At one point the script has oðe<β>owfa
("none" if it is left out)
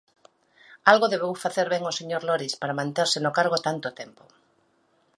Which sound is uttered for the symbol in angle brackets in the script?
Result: β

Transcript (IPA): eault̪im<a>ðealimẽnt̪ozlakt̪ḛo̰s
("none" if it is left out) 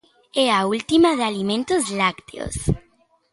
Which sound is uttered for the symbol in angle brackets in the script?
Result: a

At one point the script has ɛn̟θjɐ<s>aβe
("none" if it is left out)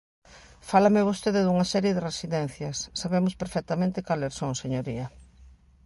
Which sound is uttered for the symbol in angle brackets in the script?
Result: sː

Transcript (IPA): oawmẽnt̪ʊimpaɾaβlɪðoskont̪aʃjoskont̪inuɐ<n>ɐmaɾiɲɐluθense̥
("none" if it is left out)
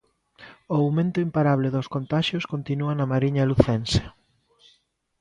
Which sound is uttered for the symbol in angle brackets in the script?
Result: n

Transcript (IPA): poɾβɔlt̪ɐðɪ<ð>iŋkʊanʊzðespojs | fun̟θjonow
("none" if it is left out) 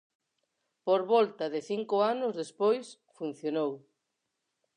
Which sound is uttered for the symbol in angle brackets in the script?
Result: θ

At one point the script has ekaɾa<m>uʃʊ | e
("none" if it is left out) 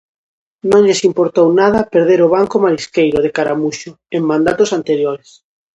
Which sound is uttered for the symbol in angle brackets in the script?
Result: m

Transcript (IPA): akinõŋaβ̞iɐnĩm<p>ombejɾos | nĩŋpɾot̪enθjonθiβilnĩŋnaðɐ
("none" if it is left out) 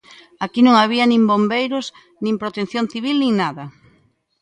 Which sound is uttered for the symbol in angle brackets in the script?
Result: b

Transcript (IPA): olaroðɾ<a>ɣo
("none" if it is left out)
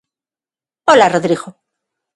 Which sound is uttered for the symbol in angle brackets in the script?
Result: i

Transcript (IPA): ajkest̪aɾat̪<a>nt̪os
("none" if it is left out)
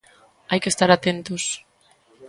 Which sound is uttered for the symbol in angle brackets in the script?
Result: e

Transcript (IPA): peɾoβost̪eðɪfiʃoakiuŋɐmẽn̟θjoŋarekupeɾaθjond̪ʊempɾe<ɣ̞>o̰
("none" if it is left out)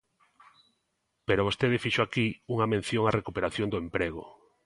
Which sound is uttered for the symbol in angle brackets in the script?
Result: ɣ̞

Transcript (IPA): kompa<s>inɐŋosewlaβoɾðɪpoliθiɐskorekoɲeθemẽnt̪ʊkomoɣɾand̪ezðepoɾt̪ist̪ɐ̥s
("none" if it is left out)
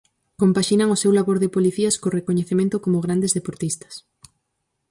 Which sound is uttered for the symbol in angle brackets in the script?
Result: ʃ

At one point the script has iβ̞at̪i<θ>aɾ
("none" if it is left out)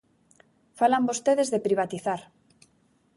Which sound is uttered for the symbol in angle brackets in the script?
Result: θ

